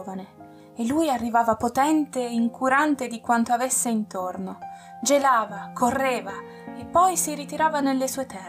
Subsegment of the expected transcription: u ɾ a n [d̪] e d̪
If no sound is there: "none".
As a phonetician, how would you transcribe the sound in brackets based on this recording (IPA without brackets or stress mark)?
t̪